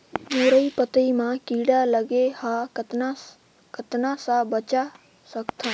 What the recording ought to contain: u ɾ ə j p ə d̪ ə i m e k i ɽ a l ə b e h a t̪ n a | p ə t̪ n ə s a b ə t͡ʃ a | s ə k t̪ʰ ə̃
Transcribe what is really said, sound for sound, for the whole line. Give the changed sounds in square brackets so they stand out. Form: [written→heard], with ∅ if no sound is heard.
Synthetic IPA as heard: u ɾ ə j p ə [d̪→t̪] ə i m [e→a] k i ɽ a l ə [b→ɡ] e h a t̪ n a | [p→k] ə t̪ n [ə→a] s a b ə t͡ʃ a | s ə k t̪ʰ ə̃